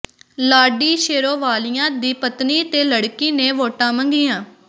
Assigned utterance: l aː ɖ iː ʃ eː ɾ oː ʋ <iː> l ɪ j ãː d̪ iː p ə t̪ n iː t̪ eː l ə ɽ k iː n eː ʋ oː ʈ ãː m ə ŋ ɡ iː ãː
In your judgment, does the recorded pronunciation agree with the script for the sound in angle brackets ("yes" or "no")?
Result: no